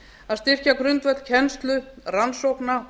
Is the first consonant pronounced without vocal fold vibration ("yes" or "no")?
no